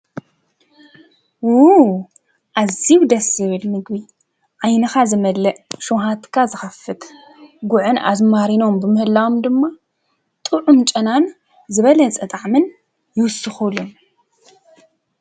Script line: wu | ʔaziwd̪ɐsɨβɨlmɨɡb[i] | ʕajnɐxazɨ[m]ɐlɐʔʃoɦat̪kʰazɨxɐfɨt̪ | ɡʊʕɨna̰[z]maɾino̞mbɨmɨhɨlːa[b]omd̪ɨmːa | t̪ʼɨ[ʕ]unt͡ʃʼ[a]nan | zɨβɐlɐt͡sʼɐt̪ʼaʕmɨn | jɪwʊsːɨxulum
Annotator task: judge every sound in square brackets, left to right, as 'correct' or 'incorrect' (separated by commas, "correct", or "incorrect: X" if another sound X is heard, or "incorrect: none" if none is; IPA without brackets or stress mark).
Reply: correct, correct, correct, incorrect: w, correct, incorrect: ɐ